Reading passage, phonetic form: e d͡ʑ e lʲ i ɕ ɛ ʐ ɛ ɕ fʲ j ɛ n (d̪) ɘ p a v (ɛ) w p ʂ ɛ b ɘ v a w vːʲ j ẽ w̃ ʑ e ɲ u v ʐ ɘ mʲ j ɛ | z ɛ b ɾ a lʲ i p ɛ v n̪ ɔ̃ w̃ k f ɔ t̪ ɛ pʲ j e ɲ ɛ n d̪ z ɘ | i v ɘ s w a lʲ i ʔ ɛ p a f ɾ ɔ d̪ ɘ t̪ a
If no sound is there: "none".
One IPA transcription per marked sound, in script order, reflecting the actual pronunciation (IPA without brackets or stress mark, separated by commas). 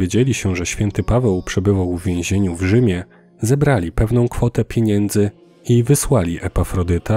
t̪, ɛ